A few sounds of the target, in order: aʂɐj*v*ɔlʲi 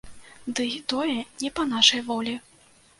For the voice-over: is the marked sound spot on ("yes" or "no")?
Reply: yes